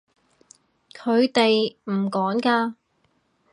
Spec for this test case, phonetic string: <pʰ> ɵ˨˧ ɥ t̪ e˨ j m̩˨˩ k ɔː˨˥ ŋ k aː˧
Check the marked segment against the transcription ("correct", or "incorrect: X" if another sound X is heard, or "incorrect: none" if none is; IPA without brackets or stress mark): incorrect: kʰ